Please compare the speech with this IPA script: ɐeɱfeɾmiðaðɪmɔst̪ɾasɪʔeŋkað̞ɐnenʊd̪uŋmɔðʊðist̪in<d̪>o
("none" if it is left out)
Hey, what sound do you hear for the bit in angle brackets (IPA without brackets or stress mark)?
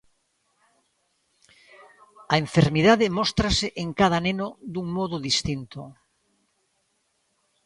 t̪